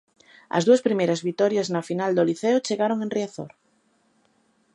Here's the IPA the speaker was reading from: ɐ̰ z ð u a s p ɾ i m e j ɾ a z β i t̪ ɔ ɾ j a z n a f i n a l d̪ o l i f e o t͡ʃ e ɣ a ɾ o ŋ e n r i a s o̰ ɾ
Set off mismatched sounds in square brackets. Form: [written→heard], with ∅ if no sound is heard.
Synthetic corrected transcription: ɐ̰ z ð u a s p ɾ i m e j ɾ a z β i t̪ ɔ ɾ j a z n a f i n a l d̪ o l i [f→θ] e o t͡ʃ e ɣ a ɾ o ŋ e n r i a [s→θ] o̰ ɾ